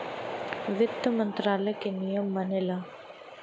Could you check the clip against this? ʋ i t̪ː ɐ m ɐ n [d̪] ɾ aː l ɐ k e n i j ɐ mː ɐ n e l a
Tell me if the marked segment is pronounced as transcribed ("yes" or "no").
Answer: no